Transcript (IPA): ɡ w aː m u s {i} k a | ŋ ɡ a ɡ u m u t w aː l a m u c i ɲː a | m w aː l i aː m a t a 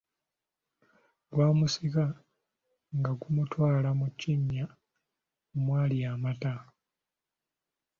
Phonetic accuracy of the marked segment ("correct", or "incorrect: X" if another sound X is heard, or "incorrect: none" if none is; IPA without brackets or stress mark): correct